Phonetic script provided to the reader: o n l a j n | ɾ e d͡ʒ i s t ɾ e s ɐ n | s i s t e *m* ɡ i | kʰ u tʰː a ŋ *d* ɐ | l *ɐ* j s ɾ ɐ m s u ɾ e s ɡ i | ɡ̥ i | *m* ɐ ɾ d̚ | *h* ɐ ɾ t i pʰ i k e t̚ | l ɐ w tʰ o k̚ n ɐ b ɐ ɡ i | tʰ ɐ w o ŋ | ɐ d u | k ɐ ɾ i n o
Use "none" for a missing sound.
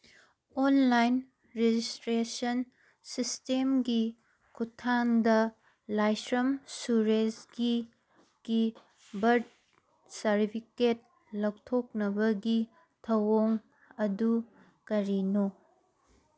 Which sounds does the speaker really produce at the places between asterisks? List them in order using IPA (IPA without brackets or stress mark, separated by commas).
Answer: m, d, a, b, s